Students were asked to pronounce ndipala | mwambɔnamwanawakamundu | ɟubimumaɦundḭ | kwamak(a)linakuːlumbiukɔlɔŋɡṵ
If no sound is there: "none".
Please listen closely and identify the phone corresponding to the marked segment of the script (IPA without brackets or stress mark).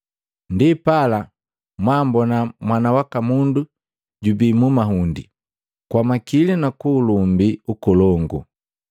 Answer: i